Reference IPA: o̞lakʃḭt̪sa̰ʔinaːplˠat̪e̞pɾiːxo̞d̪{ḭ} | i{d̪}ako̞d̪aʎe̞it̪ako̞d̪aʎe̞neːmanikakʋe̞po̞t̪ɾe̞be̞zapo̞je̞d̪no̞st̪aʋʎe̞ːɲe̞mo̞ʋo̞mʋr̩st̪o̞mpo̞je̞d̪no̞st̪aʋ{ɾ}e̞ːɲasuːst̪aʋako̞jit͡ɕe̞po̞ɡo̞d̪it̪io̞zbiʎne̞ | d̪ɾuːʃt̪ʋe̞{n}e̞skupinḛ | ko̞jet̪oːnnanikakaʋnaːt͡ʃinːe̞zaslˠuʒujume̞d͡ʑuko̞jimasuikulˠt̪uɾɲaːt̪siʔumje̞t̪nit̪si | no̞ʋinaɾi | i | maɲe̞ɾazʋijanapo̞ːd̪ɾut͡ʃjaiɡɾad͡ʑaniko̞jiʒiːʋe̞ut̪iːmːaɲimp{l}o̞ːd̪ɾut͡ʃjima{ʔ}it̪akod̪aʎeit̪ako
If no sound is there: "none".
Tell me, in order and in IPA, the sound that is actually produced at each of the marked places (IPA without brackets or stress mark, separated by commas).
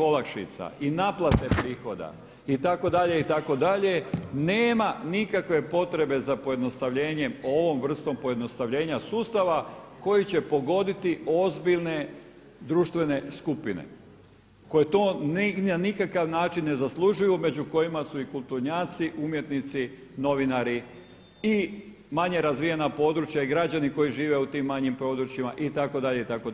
a̰, t̪, ʎ, n, ɾ, ʔ